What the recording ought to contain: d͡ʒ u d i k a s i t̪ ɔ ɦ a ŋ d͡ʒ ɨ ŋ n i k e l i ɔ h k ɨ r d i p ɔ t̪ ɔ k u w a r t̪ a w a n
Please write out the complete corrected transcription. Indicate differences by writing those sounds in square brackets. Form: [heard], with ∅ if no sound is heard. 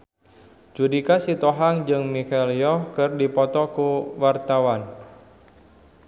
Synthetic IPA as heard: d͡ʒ u d i k a s i t̪ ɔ ɦ a ŋ d͡ʒ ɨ ŋ [m] i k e l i ɔ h k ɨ r d i p ɔ t̪ ɔ k u w a r t̪ a w a n

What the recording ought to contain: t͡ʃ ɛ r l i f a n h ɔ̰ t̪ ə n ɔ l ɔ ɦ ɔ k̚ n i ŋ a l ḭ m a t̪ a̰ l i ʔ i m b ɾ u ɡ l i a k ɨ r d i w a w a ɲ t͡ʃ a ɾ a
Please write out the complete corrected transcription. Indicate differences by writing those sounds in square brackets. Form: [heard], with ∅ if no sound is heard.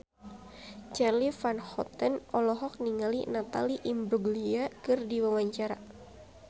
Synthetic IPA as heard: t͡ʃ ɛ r l i f a n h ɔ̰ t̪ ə n ɔ l ɔ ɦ ɔ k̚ n i ŋ a l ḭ [n] a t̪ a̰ l i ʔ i m b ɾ u ɡ l i a k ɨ r d i w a w a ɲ t͡ʃ a ɾ a

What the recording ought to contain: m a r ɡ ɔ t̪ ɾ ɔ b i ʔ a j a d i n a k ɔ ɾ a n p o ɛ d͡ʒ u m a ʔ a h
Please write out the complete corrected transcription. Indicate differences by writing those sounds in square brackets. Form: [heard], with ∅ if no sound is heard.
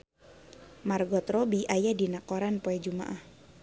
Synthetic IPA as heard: m a r ɡ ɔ t̪ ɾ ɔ b i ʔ a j a d i n a k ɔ ɾ a n p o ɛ d͡ʒ u m a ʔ a h

